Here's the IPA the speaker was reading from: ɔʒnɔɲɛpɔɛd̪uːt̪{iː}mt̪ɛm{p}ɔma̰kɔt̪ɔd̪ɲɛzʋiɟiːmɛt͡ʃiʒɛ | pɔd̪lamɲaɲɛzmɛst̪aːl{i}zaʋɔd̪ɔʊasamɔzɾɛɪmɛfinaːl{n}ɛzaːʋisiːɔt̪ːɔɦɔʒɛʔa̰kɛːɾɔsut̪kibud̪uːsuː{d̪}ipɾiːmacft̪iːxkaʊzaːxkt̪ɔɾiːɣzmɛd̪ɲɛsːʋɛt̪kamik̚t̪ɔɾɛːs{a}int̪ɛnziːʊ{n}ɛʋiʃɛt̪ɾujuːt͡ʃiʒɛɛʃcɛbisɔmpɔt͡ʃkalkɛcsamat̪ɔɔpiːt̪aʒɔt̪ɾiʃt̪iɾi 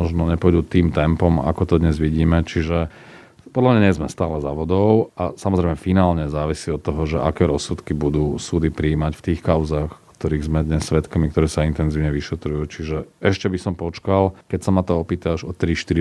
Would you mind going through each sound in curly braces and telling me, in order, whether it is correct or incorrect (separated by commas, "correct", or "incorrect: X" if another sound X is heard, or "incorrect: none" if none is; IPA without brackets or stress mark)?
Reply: correct, correct, incorrect: ɛ, incorrect: ɲ, correct, correct, incorrect: ɲ